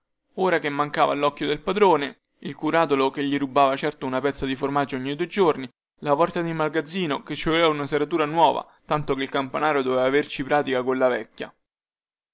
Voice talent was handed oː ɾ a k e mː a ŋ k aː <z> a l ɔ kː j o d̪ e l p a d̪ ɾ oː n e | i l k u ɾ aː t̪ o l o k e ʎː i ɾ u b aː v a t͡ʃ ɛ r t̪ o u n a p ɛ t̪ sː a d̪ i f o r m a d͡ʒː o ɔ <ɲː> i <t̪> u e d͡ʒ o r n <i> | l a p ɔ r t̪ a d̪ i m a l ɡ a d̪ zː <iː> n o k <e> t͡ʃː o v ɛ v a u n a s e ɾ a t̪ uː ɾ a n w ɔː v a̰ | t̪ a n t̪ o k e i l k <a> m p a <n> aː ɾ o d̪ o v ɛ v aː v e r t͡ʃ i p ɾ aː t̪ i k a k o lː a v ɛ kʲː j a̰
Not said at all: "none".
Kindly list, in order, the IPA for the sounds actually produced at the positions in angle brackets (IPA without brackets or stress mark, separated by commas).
v, ɲː, d̪, i, iː, e, a, n